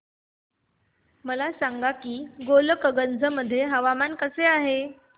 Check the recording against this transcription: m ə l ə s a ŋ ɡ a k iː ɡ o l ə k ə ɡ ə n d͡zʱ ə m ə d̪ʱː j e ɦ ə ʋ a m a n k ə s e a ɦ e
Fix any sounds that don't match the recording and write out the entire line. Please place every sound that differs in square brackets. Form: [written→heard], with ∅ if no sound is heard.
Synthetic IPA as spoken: m ə l [ə→a] s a ŋ ɡ a k iː ɡ o l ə k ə ɡ ə n d͡zʱ ə m ə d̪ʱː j e ɦ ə ʋ a m a n k ə s e a ɦ e